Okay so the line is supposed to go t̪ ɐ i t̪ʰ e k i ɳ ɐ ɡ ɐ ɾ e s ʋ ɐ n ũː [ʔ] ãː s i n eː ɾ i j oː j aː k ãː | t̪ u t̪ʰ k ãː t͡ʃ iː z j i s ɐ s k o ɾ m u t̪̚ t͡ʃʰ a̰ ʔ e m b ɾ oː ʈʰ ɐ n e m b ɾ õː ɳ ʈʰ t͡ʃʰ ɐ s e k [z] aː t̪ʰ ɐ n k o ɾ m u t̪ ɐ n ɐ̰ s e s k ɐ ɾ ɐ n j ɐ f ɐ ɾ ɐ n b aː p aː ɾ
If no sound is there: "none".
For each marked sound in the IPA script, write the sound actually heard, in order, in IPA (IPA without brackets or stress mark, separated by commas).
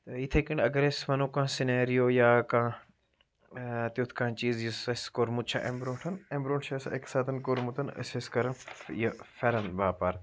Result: k, s